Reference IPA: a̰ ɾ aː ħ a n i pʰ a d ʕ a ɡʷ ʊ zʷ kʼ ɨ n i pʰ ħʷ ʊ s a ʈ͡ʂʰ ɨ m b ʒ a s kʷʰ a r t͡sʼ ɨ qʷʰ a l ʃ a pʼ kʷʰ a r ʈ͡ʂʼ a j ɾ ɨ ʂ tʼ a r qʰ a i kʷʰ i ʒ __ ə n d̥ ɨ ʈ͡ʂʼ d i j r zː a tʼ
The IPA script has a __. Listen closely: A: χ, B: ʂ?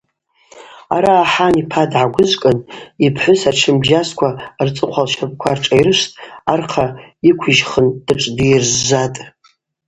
A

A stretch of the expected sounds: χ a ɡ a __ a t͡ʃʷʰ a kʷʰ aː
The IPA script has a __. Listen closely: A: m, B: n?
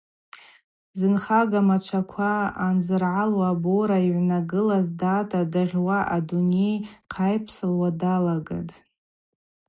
A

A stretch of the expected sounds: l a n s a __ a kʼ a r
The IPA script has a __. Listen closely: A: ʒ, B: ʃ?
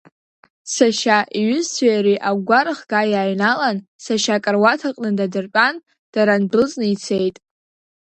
B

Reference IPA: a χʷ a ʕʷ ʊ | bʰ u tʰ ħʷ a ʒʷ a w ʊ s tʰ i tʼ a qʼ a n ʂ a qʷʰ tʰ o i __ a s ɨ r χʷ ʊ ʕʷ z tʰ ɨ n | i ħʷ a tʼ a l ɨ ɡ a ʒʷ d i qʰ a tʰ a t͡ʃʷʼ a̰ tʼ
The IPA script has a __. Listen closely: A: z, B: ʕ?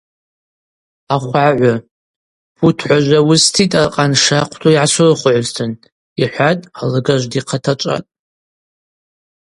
B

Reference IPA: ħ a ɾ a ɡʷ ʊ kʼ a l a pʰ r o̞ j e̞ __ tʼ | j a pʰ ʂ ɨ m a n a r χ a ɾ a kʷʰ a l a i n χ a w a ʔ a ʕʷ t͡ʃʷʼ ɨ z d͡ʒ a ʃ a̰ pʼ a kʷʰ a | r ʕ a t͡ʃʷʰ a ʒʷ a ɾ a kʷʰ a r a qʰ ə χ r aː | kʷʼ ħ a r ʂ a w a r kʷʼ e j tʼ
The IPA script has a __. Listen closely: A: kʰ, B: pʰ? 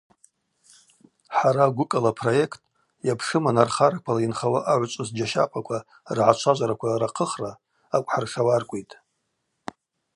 A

